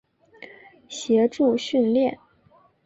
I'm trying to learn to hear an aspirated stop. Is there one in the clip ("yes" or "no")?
no